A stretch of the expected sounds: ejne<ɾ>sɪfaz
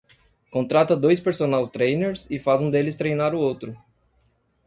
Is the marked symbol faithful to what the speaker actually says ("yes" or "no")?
yes